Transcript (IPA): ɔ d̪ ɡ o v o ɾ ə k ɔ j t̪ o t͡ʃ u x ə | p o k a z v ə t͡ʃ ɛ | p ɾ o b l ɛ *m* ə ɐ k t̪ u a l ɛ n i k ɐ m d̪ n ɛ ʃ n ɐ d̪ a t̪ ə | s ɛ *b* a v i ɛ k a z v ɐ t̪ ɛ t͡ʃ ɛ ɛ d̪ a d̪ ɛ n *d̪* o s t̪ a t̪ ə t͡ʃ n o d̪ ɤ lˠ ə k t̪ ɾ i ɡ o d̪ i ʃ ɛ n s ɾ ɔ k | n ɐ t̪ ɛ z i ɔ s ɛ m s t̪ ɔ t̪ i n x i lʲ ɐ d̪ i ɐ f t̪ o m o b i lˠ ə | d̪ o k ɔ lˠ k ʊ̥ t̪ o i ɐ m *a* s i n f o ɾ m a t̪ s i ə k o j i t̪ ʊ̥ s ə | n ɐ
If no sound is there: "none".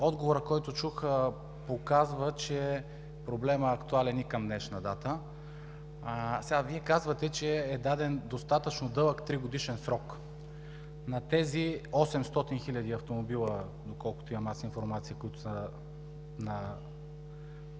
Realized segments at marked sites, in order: m, ɡ, d̪, a

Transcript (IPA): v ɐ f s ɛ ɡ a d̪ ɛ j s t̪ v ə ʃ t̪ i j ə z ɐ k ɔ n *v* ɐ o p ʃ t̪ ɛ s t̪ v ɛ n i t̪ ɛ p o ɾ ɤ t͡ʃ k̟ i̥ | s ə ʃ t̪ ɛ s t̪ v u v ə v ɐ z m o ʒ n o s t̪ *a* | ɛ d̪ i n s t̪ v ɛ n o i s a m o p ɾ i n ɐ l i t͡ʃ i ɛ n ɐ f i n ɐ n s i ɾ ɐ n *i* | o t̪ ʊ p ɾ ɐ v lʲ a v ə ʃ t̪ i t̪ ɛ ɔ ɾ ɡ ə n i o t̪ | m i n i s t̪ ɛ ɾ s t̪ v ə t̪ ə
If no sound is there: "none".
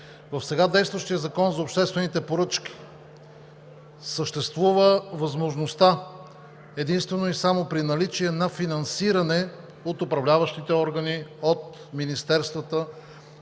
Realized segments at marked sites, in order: z, a, ɛ

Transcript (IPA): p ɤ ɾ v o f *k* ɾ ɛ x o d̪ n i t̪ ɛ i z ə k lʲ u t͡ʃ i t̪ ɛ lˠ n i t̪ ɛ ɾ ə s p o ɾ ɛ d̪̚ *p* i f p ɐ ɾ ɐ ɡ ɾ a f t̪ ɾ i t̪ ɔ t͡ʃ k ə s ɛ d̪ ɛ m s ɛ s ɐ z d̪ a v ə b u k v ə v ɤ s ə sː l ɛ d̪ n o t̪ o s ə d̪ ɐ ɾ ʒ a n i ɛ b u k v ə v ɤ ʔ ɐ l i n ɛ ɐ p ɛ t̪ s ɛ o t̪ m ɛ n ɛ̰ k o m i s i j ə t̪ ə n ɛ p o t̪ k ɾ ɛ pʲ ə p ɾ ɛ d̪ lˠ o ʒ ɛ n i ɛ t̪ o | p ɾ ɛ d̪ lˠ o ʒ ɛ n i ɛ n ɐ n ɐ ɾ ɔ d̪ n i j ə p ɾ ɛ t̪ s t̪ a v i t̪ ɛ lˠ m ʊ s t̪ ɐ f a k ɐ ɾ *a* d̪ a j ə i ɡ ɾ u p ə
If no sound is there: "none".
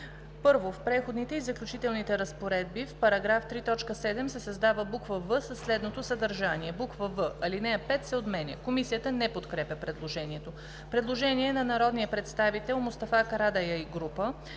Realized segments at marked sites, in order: p, b, a

